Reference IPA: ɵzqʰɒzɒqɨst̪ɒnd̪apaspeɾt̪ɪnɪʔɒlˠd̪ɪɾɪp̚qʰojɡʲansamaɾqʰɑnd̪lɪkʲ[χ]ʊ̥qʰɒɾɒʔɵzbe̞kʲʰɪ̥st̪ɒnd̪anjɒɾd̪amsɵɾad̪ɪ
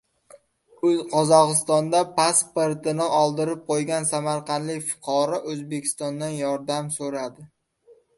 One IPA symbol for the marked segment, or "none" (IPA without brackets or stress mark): f